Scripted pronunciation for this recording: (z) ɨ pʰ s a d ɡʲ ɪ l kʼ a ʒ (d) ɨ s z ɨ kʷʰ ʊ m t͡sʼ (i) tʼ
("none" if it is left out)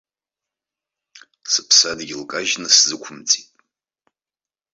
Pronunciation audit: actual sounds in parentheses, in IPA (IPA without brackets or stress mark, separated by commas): s, n, i